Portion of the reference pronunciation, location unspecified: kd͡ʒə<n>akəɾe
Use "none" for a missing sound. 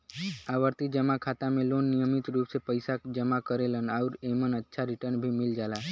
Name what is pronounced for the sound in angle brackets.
m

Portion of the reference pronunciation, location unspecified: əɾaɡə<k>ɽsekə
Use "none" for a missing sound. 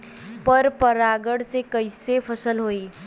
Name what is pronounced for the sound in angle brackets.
none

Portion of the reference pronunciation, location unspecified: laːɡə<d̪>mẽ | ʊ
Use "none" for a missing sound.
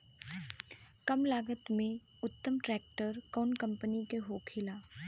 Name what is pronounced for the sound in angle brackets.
t̪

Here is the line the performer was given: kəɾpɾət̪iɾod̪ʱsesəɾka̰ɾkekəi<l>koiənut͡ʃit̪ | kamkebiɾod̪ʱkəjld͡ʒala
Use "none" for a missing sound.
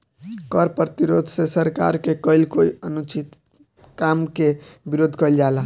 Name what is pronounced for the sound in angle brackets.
l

